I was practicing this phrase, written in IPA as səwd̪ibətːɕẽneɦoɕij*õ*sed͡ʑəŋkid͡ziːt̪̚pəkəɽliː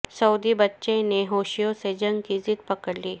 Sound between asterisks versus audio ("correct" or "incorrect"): incorrect